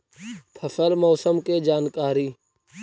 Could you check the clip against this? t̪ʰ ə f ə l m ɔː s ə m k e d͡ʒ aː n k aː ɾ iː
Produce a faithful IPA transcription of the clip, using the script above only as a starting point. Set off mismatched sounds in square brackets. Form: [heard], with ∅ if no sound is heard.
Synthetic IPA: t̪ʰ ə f ə l m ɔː s ə m k e d͡ʒ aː n k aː ɾ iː